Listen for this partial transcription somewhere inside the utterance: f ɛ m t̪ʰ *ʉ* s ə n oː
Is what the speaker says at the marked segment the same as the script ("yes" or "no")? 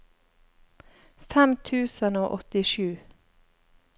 no